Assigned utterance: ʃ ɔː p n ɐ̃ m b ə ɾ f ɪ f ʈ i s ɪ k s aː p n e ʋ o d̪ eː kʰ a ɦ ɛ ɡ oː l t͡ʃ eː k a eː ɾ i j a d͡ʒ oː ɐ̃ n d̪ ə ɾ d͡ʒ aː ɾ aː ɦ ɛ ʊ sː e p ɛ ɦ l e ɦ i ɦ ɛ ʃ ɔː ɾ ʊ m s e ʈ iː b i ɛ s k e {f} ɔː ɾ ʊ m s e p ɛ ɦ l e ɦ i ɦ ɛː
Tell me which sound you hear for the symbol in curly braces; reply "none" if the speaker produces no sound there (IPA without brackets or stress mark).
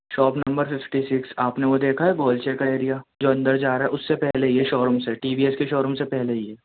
ʃ